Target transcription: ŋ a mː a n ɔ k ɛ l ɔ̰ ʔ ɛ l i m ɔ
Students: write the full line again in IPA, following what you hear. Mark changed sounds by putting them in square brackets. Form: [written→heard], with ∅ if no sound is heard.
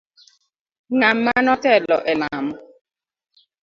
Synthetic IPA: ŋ a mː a n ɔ [k→t] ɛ l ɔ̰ ʔ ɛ l [i→a] m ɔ